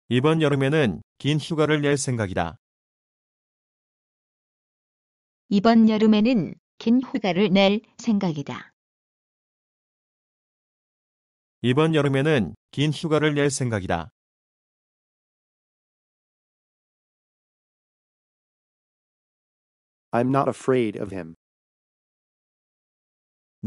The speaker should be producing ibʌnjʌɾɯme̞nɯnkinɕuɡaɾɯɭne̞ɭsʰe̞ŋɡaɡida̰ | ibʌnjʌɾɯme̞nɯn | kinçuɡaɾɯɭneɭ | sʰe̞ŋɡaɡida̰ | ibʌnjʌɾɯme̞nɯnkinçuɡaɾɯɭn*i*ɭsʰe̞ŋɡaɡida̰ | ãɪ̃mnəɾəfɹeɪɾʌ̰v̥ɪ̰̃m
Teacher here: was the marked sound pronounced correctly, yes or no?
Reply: no